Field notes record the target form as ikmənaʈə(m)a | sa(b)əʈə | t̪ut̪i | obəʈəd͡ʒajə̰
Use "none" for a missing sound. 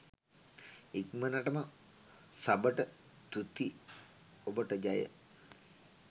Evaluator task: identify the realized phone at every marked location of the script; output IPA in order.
m, b

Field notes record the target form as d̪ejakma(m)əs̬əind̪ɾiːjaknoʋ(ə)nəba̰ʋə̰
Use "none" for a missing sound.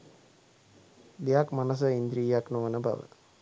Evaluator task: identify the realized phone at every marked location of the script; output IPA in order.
n, ə

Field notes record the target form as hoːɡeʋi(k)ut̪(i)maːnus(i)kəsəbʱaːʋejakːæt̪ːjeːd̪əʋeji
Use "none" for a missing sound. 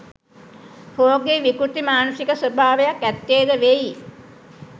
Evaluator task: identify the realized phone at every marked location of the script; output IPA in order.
k, i, i

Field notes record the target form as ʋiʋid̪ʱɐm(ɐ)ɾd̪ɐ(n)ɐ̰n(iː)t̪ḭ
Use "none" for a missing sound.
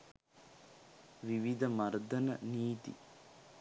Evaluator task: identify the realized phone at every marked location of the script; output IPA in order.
ɐ, n, iː

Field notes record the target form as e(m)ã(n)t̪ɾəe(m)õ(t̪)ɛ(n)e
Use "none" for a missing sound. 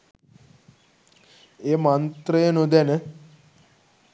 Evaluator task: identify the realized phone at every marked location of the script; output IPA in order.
m, n, n, d̪, n

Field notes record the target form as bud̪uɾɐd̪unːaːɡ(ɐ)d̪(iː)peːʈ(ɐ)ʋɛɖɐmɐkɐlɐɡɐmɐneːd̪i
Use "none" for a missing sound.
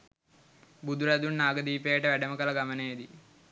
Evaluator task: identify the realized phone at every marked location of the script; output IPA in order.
ɐ, iː, ɐ

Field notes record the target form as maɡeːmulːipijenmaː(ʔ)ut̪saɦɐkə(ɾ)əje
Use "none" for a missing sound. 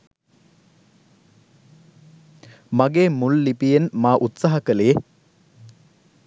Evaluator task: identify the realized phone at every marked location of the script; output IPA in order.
ʔ, l

